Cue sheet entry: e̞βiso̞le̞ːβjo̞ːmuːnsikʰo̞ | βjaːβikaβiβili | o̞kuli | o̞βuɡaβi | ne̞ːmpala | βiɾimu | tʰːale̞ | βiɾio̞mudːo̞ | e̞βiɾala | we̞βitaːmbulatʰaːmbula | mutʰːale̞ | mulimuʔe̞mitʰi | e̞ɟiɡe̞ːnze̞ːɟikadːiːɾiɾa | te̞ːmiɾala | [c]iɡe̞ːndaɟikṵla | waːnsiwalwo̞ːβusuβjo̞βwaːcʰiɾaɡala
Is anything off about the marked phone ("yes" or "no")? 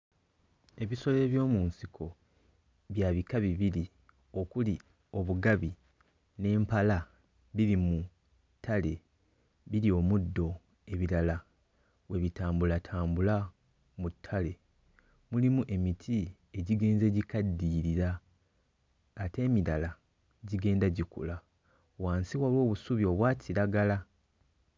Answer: yes